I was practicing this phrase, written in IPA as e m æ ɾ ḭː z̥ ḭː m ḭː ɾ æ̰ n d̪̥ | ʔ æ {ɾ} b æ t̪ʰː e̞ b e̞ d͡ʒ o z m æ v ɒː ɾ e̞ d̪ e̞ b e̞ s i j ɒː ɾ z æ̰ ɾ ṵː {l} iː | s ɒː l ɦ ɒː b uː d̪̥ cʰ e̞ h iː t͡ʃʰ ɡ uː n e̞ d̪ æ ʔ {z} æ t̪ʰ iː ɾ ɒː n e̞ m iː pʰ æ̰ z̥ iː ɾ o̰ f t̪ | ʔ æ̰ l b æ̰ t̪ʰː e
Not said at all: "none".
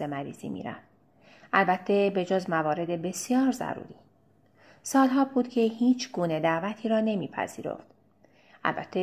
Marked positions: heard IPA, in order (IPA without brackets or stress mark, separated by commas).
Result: l, ɾ, v